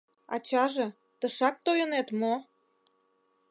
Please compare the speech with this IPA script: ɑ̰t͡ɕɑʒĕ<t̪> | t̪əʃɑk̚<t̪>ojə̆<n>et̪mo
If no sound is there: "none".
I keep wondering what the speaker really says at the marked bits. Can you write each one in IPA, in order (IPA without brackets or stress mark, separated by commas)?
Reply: none, t̪, n